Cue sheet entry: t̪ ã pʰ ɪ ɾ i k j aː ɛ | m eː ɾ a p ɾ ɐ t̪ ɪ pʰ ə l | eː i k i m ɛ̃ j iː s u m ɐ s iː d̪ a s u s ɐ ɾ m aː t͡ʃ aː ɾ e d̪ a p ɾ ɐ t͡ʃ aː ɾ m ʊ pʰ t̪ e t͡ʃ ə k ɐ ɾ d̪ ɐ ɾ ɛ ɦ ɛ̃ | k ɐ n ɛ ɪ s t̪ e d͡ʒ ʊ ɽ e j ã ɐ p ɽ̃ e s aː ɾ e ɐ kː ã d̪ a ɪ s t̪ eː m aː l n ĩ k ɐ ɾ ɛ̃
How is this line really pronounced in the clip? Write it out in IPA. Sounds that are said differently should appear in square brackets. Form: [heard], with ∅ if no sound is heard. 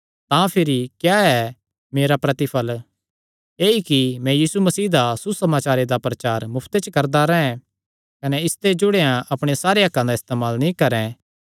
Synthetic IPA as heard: t̪ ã pʰ ɪ ɾ i k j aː ɛ | m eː ɾ a p ɾ ɐ t̪ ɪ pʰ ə l | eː i k i m ɛ̃ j iː s u m ɐ s iː d̪ a s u s ɐ [∅] m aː t͡ʃ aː ɾ e d̪ a p ɾ ɐ t͡ʃ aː ɾ m ʊ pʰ t̪ e t͡ʃ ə k ɐ ɾ d̪ [a] ɾ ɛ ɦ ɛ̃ | k ɐ n ɛ ɪ s t̪ e d͡ʒ ʊ ɽ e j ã ɐ p ɽ̃ e s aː ɾ e ɐ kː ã d̪ a ɪ s t̪ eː m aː l n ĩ k ɐ ɾ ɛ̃